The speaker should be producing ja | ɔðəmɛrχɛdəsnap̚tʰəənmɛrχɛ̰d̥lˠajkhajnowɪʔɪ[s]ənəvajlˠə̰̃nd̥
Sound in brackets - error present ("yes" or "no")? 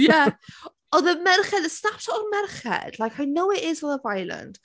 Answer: yes